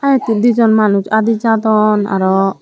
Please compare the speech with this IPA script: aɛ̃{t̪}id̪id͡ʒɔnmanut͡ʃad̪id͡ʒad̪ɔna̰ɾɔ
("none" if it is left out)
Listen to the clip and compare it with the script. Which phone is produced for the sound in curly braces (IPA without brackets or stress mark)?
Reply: t̪